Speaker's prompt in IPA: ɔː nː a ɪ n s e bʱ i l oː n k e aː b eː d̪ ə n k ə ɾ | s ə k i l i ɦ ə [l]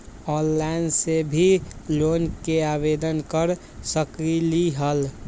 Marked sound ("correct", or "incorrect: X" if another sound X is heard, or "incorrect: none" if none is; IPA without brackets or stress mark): correct